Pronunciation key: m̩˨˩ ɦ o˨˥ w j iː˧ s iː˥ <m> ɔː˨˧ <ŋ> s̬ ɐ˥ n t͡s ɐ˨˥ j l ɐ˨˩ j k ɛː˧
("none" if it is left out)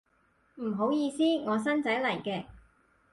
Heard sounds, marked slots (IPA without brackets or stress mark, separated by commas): ŋ, none